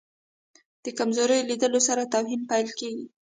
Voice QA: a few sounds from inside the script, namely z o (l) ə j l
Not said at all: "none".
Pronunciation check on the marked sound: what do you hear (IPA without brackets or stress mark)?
ɾ